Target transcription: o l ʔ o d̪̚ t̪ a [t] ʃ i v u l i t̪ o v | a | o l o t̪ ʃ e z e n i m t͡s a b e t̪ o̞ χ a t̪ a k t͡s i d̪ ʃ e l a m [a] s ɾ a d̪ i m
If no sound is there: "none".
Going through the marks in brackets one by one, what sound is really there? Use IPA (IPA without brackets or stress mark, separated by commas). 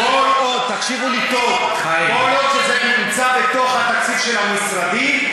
k, i